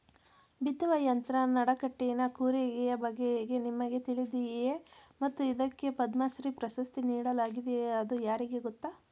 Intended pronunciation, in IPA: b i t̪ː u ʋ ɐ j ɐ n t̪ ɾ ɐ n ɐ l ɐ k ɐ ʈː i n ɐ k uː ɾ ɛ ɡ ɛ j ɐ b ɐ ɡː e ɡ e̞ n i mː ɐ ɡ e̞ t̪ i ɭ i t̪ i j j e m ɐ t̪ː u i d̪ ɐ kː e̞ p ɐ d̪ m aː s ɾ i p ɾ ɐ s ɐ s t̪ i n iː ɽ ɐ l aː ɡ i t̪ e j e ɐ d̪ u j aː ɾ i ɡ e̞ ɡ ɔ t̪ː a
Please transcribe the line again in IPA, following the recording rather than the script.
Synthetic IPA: b i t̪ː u ʋ ɐ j ɐ n t̪ ɾ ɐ n ɐ ɽ ɐ k ɐ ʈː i n ɐ k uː ɾ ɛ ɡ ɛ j ɐ b ɐ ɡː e ɡ e̞ n i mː ɐ ɡ e̞ t̪ i ɭ i d̪ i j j e m ɐ t̪ː u i d̪ ɐ kː e̞ p ɐ d̪ m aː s ɾ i p ɾ ɐ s ɐ s t̪ i n iː ɽ ɐ l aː ɡ i d̪ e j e ɐ d̪ u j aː ɾ i ɡ e̞ ɡ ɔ t̪ː a

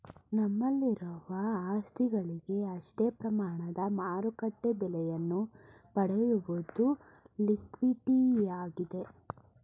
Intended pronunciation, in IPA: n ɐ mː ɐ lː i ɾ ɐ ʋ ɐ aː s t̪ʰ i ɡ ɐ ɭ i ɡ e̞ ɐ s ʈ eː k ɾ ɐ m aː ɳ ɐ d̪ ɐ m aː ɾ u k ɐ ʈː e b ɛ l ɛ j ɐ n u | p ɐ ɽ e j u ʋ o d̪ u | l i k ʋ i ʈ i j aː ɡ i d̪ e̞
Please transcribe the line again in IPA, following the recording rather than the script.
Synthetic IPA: n ɐ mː ɐ lː i ɾ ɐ ʋ ɐ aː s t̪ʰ i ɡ ɐ ɭ i ɡ e̞ ɐ ʂ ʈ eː p ɾ ɐ m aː ɳ ɐ d̪ ɐ m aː ɾ u k ɐ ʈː e b ɛ l ɛ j ɐ nː u | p ɐ ɽ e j u ʋ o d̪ u | l i k ʋ i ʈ i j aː ɡ i d̪ e̞

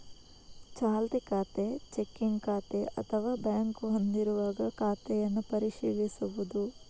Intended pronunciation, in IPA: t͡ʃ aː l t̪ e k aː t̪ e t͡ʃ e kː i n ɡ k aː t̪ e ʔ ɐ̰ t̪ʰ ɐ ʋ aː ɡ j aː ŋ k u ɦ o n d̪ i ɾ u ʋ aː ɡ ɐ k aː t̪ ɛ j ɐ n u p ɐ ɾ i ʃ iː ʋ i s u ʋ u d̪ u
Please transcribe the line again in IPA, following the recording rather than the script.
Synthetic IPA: t͡ʃ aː l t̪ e k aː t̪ e t͡ʃ e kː i ŋ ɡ k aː t̪ e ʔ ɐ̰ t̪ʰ ɐ ʋ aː b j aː ŋ k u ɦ o n d̪ i ɾ u ʋ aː ɡ ɐ k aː t̪ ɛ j ɐ nː u p ɐ ɾ i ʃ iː ʋ i s u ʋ u d̪ u

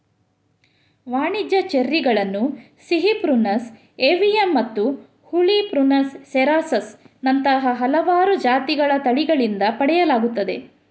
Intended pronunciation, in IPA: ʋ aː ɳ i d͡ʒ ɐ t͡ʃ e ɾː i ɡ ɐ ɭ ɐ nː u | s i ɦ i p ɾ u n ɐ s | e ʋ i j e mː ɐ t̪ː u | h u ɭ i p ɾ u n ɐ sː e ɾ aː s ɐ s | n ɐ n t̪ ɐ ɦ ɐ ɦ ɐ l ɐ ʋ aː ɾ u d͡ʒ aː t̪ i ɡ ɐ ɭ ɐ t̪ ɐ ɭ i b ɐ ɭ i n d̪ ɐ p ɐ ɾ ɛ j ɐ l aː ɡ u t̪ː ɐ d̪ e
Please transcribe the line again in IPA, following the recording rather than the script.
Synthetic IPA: ʋ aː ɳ i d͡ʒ ɐ t͡ʃ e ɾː i ɡ ɐ ɭ ɐ nː u | s i ɦ i p ɾ u n ɐ s | e ʋ i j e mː ɐ t̪ː u | h u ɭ i p ɾ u n ɐ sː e ɾ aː s ɐ s | n ɐ n t̪ ɐ ɦ ɐ ɦ ɐ l ɐ ʋ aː ɾ u d͡ʒ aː t̪ i ɡ ɐ ɭ ɐ t̪ ɐ ɭ i ɡ ɐ ɭ i n d̪ ɐ p ɐ ɽ ɛ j ɐ l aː ɡ u t̪ː ɐ d̪ e

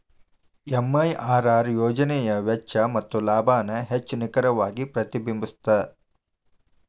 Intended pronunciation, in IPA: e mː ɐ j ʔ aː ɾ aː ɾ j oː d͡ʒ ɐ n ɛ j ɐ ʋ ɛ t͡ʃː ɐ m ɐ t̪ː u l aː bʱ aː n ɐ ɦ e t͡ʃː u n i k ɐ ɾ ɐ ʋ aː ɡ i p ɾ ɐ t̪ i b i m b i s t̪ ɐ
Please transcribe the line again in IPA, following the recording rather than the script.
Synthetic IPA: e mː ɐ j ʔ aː ɾ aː ɾ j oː d͡ʒ ɐ n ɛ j ɐ ʋ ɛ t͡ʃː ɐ m ɐ t̪ː u l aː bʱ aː n ɐ ɦ e t͡ʃː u n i k ɐ ɾ ɐ ʋ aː ɡ i p ɾ ɐ t̪ i b i m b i s t̪ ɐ

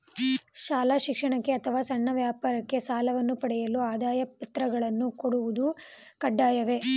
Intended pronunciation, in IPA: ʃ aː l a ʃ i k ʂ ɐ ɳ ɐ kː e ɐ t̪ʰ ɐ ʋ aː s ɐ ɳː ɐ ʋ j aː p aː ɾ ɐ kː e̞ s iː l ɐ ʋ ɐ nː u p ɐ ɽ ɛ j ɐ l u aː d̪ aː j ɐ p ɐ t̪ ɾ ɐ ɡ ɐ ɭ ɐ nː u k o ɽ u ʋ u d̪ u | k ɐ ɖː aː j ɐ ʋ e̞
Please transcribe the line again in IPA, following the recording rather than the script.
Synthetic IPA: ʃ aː l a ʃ i k ʂ ɐ ɳ ɐ kː e ɐ t̪ʰ ɐ ʋ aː s ɐ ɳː ɐ ʋ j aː p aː ɾ ɐ kː e̞ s aː l ɐ ʋ ɐ nː u p ɐ ɽ ɛ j ɐ l u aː d̪ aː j ɐ p ɐ t̪ ɾ ɐ ɡ ɐ ɭ ɐ nː u k o ɽ u ʋ u d̪ u | k ɐ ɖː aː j ɐ ʋ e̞

